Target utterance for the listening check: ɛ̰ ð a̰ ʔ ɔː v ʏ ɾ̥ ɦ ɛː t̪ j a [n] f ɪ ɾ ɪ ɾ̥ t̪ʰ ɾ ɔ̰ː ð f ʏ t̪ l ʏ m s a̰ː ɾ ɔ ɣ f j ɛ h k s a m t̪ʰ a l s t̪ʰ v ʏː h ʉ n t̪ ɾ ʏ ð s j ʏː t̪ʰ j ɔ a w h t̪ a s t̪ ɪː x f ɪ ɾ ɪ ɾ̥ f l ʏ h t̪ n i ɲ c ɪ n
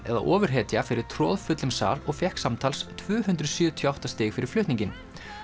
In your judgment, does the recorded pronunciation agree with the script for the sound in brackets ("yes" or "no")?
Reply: no